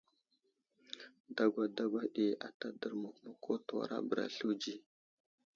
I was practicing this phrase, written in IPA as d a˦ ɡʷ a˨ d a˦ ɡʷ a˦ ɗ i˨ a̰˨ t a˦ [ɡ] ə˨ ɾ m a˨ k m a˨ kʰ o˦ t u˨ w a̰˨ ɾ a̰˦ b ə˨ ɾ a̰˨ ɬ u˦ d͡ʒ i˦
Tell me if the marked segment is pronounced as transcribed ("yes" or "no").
no